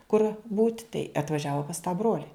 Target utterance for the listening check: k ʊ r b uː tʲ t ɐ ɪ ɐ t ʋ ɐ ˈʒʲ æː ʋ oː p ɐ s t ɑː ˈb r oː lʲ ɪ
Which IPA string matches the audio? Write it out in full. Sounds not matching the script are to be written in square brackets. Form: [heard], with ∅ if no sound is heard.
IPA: k ʊ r b uː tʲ t ɐ ɪ ɐ t ʋ ɐ ˈʒʲ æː ʋ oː p ɐ s t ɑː ˈb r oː lʲ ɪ